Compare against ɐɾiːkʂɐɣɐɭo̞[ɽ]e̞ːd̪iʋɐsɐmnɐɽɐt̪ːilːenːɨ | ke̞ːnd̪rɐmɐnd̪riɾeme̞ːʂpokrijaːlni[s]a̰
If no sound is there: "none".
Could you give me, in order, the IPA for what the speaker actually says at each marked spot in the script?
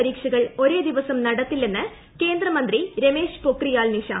ɾ, ʂ

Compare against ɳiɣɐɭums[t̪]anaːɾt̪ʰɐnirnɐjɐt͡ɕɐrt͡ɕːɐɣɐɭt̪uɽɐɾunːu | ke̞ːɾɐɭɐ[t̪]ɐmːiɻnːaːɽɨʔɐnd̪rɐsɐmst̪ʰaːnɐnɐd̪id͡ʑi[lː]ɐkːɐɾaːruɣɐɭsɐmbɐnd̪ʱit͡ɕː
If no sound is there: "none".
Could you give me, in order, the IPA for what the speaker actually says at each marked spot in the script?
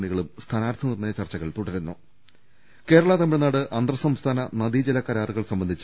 t̪ʰ, t̪, l

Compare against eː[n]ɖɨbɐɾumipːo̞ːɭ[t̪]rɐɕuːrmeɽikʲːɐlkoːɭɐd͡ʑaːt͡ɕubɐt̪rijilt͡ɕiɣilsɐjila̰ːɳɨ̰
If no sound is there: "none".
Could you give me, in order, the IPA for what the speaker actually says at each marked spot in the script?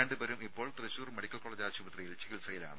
ɳ, t̪

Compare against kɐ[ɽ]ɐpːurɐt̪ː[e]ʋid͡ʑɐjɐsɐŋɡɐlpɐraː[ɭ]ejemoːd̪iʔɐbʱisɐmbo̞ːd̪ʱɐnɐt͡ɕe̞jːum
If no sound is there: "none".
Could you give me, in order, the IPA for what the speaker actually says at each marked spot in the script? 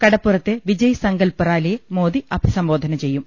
ɽ, e, l

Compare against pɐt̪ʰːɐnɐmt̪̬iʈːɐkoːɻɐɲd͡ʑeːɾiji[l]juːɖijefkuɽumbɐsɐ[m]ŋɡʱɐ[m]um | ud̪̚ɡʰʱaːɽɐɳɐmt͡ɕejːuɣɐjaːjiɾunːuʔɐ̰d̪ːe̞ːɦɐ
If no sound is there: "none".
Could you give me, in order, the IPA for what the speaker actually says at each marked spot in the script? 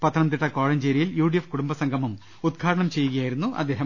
l, none, m

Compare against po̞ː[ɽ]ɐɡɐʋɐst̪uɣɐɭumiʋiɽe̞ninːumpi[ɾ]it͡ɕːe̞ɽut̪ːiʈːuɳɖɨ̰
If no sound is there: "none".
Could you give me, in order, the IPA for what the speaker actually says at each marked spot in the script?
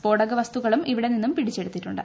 ɽ, ɽ

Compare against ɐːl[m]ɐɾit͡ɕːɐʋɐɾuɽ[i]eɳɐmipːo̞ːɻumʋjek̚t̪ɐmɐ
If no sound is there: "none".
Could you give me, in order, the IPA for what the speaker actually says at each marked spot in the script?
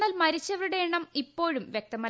m, e

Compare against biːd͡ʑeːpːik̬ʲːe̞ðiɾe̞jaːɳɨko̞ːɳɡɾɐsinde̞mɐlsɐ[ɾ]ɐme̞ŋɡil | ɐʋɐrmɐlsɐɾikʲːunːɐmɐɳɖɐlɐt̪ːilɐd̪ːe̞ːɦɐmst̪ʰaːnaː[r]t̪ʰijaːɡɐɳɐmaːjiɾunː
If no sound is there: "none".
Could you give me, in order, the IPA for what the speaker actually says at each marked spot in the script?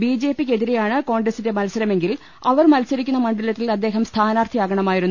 ɾ, r

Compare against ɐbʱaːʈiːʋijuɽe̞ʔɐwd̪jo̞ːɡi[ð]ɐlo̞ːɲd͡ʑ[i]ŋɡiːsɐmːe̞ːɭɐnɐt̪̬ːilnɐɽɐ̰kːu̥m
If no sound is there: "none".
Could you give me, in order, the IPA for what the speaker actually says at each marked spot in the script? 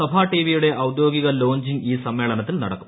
ɣ, i

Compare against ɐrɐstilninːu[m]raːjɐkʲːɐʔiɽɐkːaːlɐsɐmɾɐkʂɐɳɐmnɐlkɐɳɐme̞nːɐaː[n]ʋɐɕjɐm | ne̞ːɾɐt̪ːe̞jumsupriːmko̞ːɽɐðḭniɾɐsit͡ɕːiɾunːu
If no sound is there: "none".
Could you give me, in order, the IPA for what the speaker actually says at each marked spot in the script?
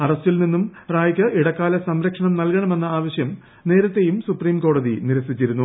m, none

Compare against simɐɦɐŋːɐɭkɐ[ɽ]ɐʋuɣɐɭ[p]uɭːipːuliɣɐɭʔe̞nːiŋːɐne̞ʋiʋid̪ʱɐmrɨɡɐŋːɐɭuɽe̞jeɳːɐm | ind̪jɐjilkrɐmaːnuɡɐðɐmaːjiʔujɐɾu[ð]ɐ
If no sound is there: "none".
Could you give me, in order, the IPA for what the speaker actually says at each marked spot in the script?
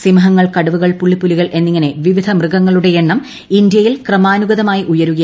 ɽ, p, ɣ

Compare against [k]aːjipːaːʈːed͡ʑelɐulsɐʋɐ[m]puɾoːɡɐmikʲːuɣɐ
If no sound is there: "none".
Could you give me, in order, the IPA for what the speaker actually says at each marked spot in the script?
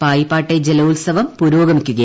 p, m

